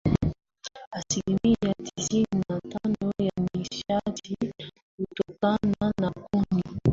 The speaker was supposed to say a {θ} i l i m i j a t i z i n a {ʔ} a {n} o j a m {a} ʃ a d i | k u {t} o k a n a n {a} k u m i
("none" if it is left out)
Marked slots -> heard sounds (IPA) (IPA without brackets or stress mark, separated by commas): s, t, n, i, t, a